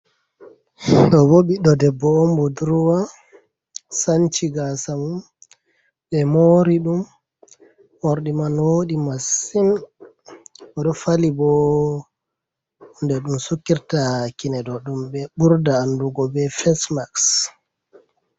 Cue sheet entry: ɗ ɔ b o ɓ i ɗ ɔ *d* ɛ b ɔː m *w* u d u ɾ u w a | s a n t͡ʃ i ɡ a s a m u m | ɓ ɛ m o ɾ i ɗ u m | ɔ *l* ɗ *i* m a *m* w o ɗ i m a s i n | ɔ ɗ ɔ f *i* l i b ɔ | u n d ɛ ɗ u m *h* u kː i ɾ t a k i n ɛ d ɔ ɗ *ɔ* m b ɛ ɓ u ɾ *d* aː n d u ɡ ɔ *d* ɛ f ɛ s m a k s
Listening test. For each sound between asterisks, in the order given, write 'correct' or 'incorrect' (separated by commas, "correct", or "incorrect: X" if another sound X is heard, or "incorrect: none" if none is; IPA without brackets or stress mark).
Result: correct, incorrect: b, incorrect: ɾ, correct, incorrect: n, incorrect: a, incorrect: s, incorrect: u, correct, incorrect: b